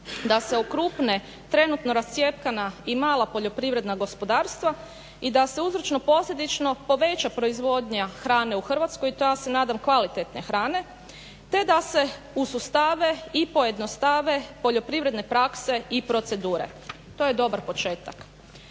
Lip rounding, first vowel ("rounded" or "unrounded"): unrounded